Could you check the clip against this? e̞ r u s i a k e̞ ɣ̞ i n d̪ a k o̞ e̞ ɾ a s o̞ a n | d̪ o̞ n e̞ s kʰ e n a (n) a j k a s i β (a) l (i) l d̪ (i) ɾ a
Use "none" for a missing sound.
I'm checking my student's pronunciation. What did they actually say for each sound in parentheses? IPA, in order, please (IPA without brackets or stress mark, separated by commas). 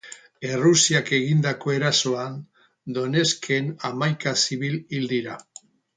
m, i, i, i